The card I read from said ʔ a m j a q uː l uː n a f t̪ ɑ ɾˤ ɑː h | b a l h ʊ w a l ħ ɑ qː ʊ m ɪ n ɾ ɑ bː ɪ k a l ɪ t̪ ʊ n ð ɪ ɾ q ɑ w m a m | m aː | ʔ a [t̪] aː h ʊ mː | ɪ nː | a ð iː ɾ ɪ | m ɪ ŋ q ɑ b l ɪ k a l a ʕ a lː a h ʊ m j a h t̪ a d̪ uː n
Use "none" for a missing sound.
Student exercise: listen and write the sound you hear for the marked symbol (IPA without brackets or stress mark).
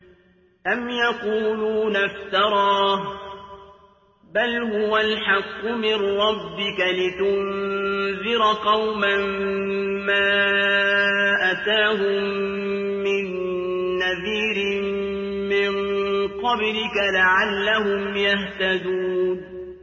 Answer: t̪